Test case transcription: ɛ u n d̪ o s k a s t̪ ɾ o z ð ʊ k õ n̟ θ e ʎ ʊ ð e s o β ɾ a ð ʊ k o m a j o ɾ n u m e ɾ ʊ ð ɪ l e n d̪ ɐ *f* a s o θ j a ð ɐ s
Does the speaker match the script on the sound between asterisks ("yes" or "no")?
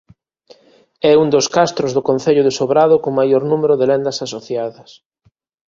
no